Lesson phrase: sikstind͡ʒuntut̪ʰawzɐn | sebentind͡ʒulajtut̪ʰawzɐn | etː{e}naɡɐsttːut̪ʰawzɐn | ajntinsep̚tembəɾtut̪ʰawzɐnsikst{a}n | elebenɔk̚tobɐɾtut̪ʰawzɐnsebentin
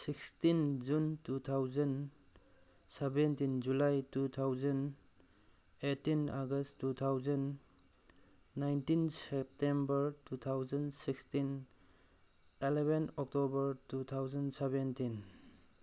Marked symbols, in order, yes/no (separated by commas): no, no